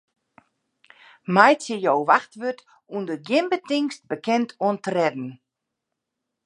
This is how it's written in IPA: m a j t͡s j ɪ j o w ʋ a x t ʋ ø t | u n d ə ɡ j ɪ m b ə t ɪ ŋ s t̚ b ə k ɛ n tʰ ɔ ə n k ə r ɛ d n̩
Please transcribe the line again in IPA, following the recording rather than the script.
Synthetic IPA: m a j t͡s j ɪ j o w ʋ a x t ʋ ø t | u n d ə ɡ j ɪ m b ə t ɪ ŋ s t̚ b ə k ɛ n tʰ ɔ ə n t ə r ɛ d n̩